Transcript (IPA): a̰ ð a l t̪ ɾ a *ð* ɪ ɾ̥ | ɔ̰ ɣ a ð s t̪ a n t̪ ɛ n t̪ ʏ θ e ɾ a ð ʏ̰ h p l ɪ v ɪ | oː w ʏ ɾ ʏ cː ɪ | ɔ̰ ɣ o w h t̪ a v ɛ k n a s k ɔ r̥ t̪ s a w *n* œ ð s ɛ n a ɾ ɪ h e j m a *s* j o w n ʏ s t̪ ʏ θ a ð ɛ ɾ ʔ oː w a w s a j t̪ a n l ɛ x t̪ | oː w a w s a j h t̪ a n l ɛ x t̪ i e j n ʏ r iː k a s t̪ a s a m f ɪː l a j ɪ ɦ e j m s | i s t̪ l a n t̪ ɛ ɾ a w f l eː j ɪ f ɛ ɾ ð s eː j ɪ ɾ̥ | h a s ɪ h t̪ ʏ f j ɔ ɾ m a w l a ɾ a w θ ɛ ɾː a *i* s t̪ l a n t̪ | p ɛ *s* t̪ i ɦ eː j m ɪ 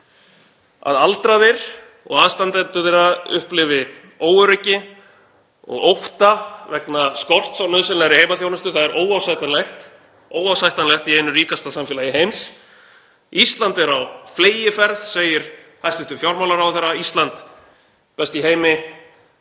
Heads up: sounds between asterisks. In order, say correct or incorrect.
correct, correct, incorrect: θ, correct, correct

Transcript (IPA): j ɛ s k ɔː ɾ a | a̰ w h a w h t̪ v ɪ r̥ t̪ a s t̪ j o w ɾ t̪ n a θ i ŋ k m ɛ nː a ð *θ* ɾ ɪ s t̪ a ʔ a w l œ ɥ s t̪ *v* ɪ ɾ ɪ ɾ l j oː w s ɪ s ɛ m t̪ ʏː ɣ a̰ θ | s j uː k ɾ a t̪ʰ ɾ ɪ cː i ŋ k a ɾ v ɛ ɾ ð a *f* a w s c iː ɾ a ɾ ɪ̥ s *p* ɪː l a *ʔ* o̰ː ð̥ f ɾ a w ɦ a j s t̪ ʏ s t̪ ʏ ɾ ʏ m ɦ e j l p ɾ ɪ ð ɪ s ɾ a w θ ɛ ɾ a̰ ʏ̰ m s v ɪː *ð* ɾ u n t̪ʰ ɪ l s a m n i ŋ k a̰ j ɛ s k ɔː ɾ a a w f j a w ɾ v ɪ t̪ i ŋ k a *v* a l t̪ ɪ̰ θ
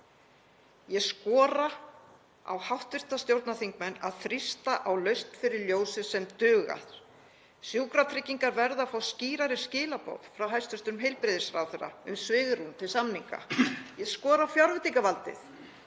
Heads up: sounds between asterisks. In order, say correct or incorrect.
correct, incorrect: f, correct, incorrect: c, incorrect: p, incorrect: ɣ, correct

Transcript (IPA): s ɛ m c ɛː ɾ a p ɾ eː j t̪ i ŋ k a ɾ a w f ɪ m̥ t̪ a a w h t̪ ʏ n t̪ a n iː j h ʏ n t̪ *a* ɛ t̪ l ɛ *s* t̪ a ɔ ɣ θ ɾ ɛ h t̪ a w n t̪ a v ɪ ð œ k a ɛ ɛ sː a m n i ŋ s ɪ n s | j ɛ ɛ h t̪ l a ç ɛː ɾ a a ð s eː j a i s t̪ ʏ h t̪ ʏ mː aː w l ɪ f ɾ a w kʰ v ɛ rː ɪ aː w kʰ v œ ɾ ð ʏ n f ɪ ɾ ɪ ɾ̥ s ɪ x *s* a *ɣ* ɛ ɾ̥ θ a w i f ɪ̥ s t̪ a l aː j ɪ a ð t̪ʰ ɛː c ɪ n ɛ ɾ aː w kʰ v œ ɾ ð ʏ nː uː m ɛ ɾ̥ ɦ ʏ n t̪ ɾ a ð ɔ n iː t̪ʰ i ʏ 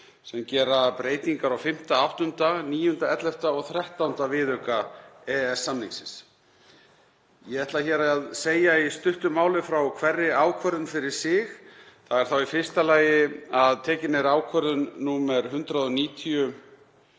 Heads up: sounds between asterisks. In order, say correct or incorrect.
correct, incorrect: f, incorrect: θ, correct

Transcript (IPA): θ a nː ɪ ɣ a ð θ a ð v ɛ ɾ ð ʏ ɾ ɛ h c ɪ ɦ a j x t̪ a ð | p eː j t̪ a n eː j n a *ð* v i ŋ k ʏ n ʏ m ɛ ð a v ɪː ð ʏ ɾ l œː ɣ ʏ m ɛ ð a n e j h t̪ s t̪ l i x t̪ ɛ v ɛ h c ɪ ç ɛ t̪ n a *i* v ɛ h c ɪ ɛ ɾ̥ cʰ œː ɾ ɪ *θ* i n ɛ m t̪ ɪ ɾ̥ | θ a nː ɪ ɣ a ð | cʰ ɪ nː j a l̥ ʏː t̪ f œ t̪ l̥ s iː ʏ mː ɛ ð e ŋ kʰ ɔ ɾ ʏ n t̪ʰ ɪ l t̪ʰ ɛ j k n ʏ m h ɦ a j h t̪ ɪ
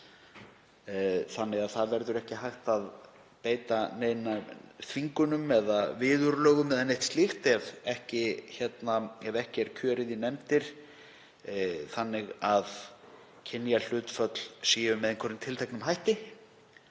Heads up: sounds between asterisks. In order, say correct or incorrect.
incorrect: θ, incorrect: ɛ, incorrect: ð

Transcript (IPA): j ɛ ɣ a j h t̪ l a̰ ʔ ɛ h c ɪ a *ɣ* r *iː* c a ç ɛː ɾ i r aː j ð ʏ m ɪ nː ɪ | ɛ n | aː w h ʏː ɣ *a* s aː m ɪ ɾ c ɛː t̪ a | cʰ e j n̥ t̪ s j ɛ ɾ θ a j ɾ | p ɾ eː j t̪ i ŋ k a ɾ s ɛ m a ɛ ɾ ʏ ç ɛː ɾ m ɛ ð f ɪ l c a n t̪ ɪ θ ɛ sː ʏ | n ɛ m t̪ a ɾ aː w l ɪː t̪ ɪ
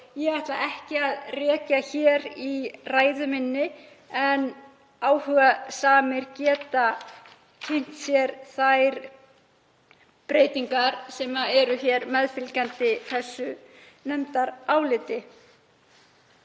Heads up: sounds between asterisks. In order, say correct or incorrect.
incorrect: ð, incorrect: ɛː, correct

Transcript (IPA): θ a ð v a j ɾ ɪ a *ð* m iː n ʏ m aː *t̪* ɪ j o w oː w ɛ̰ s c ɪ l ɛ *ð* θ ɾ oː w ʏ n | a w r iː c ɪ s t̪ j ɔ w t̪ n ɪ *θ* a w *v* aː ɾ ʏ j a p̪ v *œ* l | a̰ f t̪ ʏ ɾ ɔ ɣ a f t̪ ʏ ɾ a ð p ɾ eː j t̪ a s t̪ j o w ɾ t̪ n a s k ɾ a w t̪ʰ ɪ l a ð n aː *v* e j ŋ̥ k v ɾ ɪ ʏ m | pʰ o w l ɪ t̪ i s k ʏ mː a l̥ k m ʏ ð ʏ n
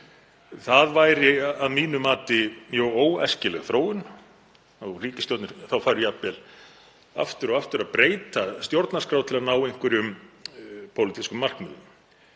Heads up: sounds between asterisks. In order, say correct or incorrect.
correct, correct, incorrect: ɣ, correct, incorrect: f, incorrect: ɛ, incorrect: w

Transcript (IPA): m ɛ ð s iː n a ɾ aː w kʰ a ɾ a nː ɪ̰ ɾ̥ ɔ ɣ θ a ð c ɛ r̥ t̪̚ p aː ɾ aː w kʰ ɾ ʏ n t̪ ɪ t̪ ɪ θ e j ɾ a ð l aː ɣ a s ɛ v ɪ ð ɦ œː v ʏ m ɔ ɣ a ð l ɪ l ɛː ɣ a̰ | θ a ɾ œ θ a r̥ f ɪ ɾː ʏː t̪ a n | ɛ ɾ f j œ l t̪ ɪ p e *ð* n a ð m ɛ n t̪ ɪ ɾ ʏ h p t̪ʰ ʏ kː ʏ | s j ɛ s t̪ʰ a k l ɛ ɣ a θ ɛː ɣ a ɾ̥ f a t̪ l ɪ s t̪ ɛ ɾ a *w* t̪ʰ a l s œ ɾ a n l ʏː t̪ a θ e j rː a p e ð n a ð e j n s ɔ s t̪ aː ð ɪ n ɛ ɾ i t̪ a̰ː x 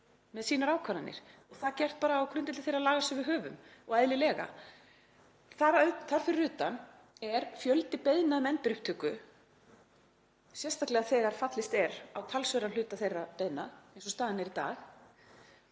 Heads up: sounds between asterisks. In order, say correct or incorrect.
correct, correct

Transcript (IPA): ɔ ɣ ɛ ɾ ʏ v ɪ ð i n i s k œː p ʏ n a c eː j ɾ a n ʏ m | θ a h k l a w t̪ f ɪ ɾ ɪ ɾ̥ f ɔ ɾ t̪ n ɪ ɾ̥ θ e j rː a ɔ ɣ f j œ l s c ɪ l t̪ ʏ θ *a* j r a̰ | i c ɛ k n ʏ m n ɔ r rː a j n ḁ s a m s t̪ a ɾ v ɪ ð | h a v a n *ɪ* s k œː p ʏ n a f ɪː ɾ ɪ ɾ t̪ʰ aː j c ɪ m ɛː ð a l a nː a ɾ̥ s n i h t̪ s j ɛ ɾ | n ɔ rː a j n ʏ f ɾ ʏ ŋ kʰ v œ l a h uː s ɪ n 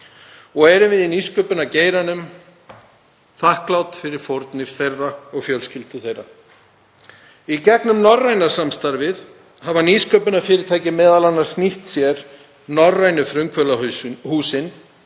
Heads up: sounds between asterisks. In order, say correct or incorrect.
incorrect: e, incorrect: i

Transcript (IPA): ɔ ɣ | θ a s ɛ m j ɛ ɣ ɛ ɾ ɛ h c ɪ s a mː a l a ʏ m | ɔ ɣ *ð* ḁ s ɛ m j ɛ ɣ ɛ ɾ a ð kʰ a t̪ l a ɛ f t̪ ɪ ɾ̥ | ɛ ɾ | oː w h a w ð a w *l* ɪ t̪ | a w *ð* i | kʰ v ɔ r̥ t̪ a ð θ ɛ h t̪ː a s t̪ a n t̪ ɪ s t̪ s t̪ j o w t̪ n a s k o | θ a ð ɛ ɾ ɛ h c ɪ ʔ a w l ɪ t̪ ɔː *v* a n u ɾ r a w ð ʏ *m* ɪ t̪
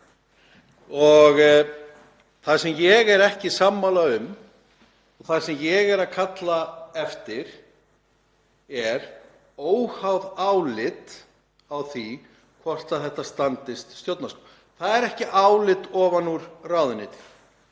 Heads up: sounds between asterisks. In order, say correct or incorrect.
incorrect: θ, correct, incorrect: θ, correct, incorrect: n

